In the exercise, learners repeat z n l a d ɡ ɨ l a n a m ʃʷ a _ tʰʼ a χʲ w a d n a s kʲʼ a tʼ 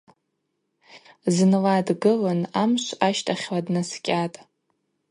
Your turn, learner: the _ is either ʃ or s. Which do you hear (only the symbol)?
ʃ